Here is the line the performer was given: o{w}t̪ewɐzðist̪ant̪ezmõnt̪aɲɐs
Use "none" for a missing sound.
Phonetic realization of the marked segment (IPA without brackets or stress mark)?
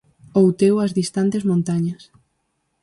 w